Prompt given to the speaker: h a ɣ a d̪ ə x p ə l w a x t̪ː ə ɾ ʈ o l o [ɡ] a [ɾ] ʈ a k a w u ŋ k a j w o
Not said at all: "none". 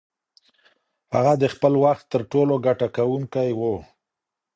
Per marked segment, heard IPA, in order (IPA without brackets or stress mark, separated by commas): ɡ, none